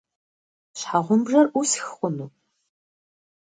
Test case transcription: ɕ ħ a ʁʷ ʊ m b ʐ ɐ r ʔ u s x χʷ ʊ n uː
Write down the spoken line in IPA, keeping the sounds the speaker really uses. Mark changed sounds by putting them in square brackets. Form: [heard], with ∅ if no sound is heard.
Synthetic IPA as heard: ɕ ħ a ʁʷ ʊ m b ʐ ɐ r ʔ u s x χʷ ʊ n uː